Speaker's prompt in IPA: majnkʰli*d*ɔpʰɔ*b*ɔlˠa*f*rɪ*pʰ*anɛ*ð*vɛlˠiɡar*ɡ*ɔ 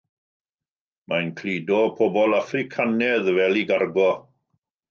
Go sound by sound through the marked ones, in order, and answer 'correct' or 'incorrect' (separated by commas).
correct, correct, correct, incorrect, correct, correct